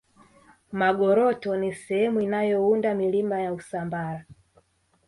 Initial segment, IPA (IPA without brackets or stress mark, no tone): m